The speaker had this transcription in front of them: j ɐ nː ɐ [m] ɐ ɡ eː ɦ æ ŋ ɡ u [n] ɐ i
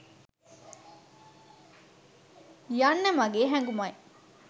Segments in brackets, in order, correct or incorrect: correct, incorrect

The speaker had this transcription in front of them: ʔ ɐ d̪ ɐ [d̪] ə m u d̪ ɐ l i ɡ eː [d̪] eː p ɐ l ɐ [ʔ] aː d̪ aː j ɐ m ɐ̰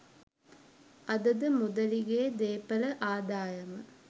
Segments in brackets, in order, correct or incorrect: correct, correct, correct

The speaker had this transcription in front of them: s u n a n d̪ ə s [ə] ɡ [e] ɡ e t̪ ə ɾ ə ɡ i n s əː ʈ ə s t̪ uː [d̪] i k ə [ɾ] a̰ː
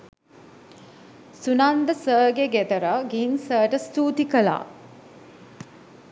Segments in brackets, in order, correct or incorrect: incorrect, correct, incorrect, incorrect

